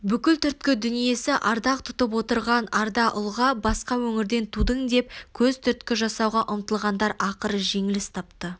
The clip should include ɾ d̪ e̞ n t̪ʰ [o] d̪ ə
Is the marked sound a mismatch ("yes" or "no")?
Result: yes